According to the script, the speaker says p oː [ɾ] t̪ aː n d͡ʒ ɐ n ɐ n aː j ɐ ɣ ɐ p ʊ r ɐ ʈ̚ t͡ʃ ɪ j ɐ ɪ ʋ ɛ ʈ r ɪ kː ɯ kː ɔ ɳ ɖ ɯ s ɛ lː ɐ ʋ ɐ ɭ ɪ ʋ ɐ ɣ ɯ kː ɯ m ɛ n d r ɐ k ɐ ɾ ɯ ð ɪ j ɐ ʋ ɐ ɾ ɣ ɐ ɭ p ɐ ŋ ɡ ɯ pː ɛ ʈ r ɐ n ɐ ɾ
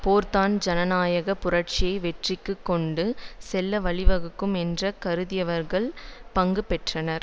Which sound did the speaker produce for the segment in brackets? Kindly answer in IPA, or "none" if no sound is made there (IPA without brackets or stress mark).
ɾ